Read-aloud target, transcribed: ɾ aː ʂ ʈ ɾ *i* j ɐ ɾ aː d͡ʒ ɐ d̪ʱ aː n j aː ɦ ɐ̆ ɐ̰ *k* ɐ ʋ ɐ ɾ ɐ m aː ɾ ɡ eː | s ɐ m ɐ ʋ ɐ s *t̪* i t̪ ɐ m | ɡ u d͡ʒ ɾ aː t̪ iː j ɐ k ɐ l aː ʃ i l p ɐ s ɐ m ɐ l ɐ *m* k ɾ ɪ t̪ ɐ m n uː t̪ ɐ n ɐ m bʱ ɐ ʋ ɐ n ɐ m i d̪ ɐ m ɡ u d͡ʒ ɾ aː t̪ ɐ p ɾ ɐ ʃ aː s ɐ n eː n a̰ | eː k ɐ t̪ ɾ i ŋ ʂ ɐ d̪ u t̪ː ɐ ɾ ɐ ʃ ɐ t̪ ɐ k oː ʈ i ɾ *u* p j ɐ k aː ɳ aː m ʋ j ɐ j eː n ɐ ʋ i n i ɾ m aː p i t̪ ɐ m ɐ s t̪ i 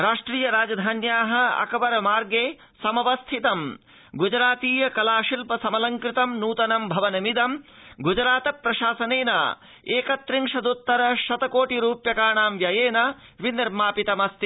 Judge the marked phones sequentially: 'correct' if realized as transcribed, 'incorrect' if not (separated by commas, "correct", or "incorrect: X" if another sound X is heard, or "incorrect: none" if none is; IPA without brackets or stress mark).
incorrect: iː, correct, incorrect: t̪ʰ, incorrect: ŋ, incorrect: uː